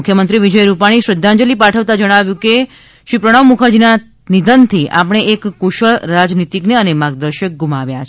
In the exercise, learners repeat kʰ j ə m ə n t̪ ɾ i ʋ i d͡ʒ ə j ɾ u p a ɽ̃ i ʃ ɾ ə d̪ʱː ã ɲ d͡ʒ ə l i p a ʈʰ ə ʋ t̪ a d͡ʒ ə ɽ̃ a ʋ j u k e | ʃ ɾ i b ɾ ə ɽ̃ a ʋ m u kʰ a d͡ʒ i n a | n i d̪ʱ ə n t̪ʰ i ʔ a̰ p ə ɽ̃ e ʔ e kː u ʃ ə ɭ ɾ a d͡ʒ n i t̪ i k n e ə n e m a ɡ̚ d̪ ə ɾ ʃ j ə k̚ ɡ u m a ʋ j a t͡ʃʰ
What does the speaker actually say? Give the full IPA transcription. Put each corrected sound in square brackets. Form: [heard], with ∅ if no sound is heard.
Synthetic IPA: kʰ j ə m ə n t̪ ɾ i ʋ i d͡ʒ ə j ɾ u p a ɽ̃ i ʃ ɾ ə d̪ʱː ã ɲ d͡ʒ ə l i p a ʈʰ ə ʋ t̪ a d͡ʒ ə ɽ̃ a ʋ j [ũ] k e | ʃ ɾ i [p] ɾ ə ɽ̃ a ʋ m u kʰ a d͡ʒ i n a | n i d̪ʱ ə n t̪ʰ i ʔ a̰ p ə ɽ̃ e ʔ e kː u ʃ ə ɭ ɾ a d͡ʒ n i t̪ i k n e ə n e m a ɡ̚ d̪ ə ɾ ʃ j ə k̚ ɡ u m a ʋ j a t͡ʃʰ

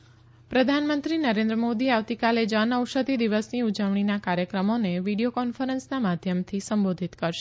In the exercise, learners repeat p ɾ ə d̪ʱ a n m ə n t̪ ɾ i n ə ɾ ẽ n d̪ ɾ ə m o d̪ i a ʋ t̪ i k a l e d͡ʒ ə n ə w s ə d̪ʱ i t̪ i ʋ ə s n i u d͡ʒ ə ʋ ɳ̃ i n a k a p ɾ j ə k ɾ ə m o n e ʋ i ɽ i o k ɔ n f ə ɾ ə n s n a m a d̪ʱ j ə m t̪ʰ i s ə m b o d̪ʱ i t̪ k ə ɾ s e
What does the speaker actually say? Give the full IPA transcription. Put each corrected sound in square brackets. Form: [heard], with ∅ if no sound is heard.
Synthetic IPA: p ɾ ə d̪ʱ a n m ə n t̪ ɾ i n ə ɾ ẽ n d̪ ɾ ə m o d̪ i a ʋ t̪ i k a l e d͡ʒ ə n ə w [ʃ] ə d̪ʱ i [d̪] i ʋ ə s n i u d͡ʒ ə ʋ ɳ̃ i n a k a [∅] ɾ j ə k ɾ ə m o n e ʋ i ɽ i o k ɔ n f ə ɾ ə n s n a m a d̪ʱ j ə m t̪ʰ i s ə m b o d̪ʱ i t̪ k ə ɾ [ʃ] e

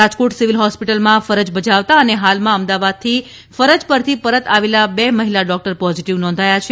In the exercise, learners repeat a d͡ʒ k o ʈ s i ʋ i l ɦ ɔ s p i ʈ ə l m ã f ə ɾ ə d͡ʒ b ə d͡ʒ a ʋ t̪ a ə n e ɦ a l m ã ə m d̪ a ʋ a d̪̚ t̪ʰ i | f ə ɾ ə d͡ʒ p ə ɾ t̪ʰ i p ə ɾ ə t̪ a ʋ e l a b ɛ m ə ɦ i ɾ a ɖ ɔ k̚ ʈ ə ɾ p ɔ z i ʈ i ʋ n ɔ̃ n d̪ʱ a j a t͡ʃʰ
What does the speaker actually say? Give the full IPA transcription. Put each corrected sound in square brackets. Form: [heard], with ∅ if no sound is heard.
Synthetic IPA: a d͡ʒ k o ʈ s i ʋ i l ɦ ɔ s p i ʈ ə l m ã f ə ɾ ə d͡ʒ b ə d͡ʒ a ʋ t̪ a ə n e ɦ a l m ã ə m d̪ a ʋ a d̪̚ t̪ʰ i | f ə ɾ ə d͡ʒ p ə ɾ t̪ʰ i p ə ɾ ə t̪ a ʋ e l a b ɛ m ə ɦ i [l] a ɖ ɔ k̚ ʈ ə ɾ p ɔ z i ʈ i ʋ n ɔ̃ n d̪ʱ a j a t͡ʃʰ

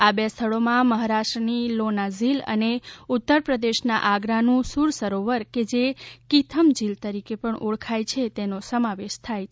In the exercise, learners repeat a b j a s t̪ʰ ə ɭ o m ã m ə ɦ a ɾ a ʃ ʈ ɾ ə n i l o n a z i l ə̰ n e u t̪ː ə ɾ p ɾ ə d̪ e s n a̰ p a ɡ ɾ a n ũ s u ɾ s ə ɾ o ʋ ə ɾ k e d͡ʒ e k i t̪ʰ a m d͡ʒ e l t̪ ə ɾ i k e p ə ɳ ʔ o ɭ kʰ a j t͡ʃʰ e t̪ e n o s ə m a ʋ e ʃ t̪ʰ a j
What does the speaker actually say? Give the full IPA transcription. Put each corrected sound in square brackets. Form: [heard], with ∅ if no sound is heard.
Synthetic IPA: a b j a s t̪ʰ ə ɭ o m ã m ə ɦ a ɾ a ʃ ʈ ɾ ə n i l o n a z i l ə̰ n e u t̪ː ə ɾ p ɾ ə d̪ e [ʃ] n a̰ [ʔ] a ɡ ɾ a n ũ s u ɾ s ə ɾ o ʋ ə ɾ k e d͡ʒ e k i t̪ʰ [ə] m d͡ʒ [i] l t̪ ə ɾ i k e p ə ɳ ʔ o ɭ kʰ a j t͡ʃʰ e t̪ e n o s ə m a ʋ e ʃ t̪ʰ a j

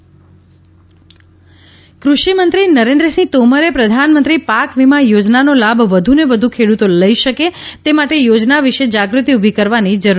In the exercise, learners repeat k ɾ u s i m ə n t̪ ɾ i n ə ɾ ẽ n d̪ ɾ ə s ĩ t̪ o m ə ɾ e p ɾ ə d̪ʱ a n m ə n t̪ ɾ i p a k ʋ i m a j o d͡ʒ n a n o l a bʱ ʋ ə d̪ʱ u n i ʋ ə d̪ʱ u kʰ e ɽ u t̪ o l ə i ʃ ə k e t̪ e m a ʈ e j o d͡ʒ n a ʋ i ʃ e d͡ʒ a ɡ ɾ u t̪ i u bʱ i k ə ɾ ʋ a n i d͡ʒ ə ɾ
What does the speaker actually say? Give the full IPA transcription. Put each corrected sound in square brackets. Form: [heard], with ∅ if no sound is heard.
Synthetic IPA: k ɾ u [ʃ] i m ə n t̪ ɾ i n ə ɾ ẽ n d̪ ɾ ə s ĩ t̪ o m ə ɾ e p ɾ ə d̪ʱ a n m ə n t̪ ɾ i p a k ʋ i m a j o d͡ʒ n a n o l a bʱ ʋ ə d̪ʱ u n [e] ʋ ə d̪ʱ u kʰ e ɽ u t̪ o l ə i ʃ ə k e t̪ e m a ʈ e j o d͡ʒ n a ʋ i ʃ e d͡ʒ a ɡ ɾ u t̪ i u bʱ i k ə ɾ ʋ a n i d͡ʒ ə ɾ

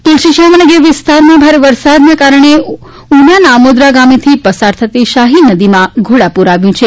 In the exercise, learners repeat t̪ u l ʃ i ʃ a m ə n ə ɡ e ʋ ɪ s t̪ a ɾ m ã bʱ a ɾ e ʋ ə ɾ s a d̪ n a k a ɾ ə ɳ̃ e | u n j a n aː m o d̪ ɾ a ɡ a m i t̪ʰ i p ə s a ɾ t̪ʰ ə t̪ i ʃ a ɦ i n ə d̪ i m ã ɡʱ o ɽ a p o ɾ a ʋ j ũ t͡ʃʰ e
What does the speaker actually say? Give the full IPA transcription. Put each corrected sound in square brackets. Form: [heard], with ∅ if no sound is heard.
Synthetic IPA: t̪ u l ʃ i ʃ a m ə n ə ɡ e ʋ ɪ s t̪ a ɾ m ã bʱ a ɾ e ʋ ə ɾ s a d̪ n a k a ɾ ə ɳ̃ e | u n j a n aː m o d̪ ɾ a ɡ a m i t̪ʰ i p ə s a ɾ t̪ʰ ə t̪ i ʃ a ɦ i n ə d̪ i m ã ɡʱ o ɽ a p [u] ɾ a ʋ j ũ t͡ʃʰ e

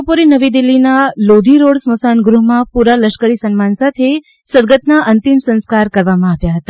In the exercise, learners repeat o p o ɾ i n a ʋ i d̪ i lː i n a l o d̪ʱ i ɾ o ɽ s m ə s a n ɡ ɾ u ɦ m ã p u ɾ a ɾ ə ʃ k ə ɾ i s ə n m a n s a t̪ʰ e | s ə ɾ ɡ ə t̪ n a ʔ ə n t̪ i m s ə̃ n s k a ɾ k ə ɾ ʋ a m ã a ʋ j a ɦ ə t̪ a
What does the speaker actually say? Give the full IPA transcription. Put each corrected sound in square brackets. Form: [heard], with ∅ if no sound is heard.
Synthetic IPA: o p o ɾ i n [ə] ʋ i d̪ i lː i n a l o d̪ʱ i ɾ o ɽ s m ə s a n ɡ ɾ u ɦ m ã p u ɾ a [l] ə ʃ k ə ɾ i s ə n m a n s a t̪ʰ e | s ə ɾ ɡ ə t̪ n a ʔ ə n t̪ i m s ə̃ n s k a ɾ k ə ɾ ʋ a m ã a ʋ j a ɦ ə t̪ a

